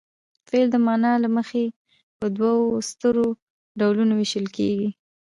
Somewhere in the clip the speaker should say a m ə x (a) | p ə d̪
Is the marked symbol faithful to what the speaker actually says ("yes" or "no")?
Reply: no